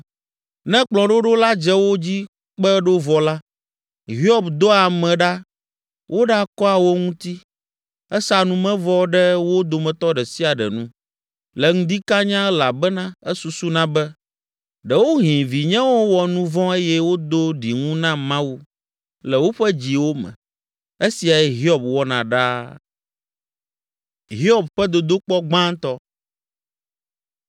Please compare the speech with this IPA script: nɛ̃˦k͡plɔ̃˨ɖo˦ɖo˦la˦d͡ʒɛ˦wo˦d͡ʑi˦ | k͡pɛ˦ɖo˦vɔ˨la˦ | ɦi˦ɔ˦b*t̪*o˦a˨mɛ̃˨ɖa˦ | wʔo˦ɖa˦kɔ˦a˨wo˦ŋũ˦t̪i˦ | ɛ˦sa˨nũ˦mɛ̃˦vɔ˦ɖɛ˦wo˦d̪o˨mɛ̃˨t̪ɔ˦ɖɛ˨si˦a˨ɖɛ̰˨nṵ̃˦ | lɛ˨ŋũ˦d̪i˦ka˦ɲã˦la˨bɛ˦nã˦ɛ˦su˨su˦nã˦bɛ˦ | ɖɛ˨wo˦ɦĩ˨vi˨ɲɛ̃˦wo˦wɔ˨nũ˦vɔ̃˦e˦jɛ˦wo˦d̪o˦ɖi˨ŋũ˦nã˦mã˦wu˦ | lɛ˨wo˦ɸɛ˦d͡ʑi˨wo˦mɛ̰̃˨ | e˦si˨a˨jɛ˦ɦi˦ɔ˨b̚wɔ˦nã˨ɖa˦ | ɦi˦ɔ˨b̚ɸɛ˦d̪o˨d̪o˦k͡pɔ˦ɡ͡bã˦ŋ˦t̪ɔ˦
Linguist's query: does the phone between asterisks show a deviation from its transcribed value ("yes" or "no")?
yes